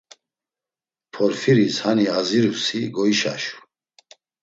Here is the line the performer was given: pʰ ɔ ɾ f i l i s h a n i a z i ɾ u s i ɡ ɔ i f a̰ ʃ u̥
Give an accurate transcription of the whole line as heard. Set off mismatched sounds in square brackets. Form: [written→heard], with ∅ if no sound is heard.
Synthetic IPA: pʰ ɔ ɾ f i [l→ɾ] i s h a n i a z i ɾ u s i ɡ ɔ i [f→ʃ] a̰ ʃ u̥